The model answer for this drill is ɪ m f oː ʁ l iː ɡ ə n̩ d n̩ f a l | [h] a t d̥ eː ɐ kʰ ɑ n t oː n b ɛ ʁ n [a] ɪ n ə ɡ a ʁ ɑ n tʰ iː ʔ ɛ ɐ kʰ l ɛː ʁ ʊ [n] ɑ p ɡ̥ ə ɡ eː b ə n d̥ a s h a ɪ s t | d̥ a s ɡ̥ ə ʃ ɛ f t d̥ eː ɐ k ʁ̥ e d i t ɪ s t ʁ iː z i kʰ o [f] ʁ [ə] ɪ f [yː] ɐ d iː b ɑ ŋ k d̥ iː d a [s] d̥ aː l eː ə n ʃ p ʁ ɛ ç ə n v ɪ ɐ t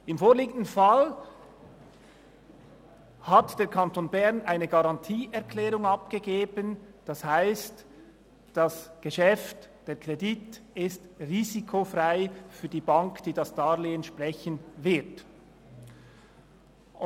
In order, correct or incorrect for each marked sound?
correct, correct, incorrect, correct, incorrect, correct, correct

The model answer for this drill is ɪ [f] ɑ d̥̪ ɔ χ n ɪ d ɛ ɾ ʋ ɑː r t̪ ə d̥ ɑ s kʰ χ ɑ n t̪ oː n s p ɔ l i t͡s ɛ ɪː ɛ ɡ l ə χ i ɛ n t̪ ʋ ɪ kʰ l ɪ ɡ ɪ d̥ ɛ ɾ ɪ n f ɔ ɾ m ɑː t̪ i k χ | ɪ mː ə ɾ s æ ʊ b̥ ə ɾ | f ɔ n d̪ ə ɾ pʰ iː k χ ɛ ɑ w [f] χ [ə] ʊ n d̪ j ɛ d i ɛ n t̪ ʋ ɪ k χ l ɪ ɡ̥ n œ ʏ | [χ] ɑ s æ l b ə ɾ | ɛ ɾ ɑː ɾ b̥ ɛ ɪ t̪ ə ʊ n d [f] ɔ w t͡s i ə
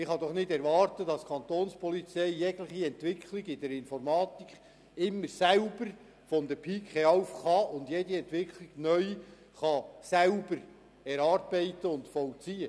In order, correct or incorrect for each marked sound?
incorrect, correct, incorrect, correct, correct

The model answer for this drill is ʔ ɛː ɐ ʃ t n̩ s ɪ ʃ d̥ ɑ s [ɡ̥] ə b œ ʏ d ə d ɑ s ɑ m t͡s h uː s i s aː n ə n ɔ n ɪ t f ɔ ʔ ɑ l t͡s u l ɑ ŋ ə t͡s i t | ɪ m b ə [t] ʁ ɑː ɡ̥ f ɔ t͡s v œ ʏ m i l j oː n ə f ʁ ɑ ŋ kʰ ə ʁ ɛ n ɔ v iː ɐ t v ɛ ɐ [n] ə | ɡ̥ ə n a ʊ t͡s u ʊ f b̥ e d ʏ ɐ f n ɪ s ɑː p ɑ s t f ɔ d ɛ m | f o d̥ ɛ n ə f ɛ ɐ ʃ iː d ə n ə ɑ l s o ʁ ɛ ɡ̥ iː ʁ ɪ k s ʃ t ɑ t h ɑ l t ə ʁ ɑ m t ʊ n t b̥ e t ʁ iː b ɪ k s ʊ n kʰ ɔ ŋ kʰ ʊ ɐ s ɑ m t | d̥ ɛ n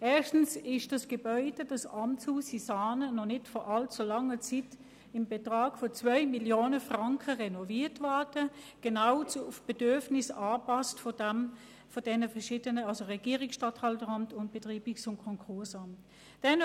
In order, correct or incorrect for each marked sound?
correct, correct, incorrect

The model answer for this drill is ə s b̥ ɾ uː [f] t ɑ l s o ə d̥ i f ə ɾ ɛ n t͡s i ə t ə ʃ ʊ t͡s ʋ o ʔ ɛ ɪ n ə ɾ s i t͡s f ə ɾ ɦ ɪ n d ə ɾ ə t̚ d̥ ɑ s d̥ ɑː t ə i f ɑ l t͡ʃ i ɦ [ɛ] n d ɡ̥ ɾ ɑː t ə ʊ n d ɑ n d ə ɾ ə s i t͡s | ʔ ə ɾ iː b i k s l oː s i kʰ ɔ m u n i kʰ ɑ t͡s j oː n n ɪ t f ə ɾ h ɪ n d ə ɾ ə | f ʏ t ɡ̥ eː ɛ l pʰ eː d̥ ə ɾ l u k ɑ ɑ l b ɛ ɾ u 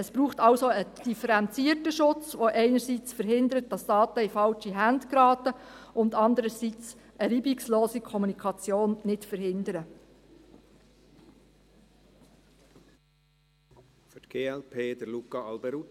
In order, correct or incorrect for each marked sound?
incorrect, incorrect

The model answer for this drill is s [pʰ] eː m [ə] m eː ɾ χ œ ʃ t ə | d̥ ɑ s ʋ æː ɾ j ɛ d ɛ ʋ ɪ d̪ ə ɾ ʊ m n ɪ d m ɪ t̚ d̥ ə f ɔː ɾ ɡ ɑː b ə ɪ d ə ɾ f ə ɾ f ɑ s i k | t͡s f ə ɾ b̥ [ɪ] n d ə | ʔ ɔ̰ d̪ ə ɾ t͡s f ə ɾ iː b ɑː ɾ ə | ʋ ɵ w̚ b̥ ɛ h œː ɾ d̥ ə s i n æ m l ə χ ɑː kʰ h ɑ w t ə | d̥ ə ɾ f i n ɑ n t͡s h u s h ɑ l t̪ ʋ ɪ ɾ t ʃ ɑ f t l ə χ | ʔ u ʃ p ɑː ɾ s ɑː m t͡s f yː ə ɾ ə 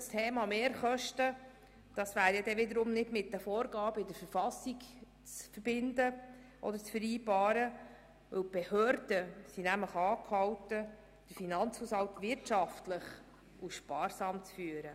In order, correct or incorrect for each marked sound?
incorrect, incorrect, correct

